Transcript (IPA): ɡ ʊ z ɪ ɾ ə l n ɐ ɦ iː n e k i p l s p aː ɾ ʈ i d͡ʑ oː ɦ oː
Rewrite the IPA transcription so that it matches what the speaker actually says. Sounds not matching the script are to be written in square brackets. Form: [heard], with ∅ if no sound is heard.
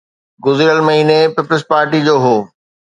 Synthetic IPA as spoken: ɡ ʊ z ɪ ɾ ə l [m] ɐ ɦ iː n e [p] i p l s p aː ɾ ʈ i d͡ʑ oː ɦ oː